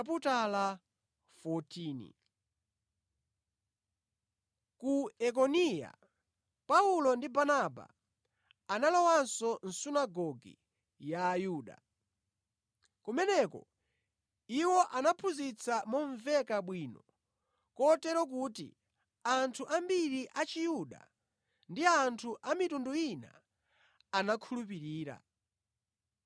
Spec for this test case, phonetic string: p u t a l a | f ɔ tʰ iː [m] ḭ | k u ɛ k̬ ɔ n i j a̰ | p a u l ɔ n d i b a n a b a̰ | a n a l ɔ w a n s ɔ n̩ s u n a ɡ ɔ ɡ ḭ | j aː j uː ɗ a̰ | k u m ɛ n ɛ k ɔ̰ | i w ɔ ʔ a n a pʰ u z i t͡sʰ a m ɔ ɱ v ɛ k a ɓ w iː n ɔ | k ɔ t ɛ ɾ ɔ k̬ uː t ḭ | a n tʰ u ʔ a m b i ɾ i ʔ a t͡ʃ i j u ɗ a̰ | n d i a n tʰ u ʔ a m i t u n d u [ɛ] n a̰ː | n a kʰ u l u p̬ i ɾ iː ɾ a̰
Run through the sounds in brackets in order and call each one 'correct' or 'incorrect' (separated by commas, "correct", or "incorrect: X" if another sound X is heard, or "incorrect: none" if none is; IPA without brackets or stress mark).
incorrect: n, incorrect: i